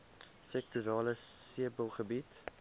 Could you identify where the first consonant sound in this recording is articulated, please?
alveolar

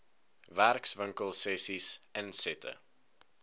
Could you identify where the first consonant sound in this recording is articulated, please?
labial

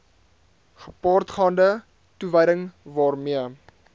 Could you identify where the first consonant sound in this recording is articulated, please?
uvular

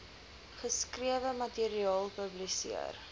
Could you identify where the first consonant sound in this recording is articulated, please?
uvular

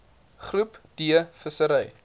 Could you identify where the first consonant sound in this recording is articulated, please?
uvular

